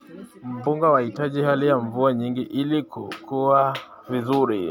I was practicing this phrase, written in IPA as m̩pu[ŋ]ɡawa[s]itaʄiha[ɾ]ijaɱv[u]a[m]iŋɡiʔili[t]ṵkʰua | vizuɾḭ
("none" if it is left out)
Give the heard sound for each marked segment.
ŋ, h, l, u, ɲ, k

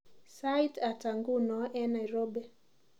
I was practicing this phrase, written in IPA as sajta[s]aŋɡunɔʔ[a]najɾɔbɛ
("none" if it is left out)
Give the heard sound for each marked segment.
t, ɛ

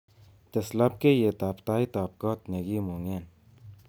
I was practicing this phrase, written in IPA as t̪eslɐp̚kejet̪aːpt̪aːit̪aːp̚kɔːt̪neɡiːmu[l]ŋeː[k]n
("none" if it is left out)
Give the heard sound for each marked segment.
none, none

